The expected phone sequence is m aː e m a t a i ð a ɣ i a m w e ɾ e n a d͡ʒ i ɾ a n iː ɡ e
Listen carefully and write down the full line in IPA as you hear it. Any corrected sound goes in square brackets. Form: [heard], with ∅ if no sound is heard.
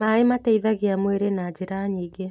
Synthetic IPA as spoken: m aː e m a t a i ð a ɣ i a m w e ɾ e n a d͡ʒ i ɾ a [ɲ] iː ɡ e